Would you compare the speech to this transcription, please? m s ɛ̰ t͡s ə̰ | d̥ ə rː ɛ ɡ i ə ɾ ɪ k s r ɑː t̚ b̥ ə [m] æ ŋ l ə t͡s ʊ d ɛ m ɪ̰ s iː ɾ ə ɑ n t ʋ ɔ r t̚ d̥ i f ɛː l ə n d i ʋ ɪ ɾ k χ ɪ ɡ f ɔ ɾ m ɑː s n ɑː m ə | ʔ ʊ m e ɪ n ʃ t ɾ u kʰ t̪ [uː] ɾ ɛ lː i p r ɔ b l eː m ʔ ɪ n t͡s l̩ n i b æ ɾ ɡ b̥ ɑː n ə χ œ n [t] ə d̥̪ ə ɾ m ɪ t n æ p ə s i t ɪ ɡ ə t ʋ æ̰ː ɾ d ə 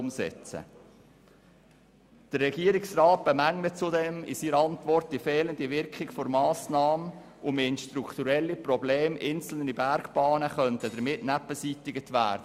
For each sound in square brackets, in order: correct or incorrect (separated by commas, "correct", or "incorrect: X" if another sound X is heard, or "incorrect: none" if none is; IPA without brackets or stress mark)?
correct, incorrect: u, correct